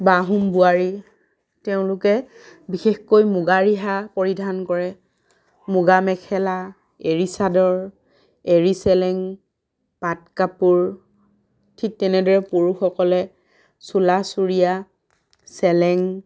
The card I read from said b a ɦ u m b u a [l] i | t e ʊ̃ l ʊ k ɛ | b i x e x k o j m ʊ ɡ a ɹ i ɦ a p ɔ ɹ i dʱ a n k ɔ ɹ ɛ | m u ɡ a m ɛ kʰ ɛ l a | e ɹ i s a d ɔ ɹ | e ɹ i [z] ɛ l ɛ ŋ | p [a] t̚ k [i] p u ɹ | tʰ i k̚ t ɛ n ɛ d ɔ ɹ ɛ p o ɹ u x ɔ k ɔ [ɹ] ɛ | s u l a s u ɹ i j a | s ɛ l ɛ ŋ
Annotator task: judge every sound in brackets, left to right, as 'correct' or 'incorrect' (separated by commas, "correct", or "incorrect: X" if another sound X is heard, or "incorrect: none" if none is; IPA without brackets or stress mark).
incorrect: ɹ, incorrect: s, correct, incorrect: a, incorrect: l